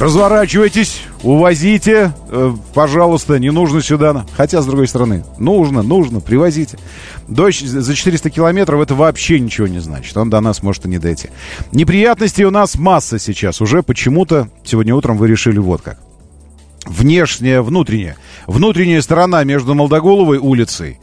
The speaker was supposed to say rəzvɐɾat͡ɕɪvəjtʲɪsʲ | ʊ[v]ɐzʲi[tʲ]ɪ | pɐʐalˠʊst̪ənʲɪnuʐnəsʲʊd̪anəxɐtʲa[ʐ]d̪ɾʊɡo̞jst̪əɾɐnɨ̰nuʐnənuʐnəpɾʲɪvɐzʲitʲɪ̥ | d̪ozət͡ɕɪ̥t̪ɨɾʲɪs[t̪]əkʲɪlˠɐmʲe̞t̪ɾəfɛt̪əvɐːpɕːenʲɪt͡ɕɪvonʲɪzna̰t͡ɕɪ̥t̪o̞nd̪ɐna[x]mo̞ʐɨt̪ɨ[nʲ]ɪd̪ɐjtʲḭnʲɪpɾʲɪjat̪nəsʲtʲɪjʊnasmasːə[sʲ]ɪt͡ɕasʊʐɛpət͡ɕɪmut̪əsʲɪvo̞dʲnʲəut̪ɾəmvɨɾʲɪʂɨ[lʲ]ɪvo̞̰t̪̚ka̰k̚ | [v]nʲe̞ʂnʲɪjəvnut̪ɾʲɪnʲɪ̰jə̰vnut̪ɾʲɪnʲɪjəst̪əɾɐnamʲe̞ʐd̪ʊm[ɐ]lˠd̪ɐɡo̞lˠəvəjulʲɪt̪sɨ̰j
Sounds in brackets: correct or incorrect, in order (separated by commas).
correct, correct, incorrect, correct, incorrect, correct, correct, correct, correct, incorrect